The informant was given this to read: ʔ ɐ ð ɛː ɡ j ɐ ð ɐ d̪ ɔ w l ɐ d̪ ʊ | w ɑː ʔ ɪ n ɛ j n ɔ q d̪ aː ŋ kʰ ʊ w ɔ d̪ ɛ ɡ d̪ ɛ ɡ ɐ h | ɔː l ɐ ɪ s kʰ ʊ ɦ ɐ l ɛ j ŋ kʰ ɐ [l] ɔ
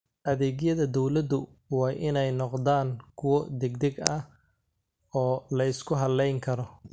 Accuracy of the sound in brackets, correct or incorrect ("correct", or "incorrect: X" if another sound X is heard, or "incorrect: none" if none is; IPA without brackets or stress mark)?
incorrect: ɾ